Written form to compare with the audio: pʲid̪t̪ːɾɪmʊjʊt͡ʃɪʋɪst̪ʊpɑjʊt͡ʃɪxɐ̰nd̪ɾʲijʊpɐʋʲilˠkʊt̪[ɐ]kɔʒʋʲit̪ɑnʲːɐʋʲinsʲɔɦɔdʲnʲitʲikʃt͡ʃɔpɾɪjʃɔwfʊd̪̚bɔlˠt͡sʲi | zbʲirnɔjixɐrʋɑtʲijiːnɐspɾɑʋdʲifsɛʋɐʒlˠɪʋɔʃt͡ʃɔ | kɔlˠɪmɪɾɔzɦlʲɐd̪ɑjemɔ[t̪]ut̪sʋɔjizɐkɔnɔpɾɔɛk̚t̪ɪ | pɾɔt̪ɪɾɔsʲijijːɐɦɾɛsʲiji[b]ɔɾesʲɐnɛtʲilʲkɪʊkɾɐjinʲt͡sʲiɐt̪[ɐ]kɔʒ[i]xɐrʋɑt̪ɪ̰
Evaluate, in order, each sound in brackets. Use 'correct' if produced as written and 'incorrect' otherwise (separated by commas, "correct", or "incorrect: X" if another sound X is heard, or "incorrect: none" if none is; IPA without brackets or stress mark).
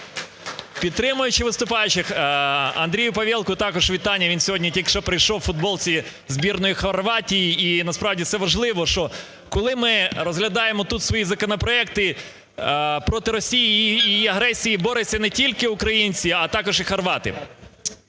incorrect: ɑ, correct, correct, incorrect: ɑ, correct